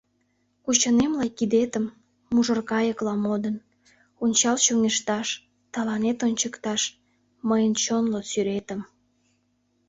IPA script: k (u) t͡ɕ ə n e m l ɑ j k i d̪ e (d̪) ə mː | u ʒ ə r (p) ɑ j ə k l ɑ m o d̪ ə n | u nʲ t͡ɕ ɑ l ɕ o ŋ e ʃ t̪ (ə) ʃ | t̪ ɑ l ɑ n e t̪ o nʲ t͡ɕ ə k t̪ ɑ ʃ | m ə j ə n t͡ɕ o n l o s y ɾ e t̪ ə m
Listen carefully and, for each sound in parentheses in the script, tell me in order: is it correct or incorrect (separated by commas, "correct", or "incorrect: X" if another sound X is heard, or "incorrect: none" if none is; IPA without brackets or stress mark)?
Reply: correct, incorrect: t̪, incorrect: k, incorrect: ɑ